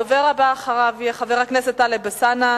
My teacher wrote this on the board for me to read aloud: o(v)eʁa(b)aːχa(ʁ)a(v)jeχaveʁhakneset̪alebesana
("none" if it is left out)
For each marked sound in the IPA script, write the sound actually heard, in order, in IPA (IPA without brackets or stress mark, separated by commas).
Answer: v, b, ʁ, v